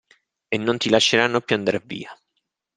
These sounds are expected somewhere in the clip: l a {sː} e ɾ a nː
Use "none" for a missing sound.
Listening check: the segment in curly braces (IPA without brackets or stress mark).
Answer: ʃː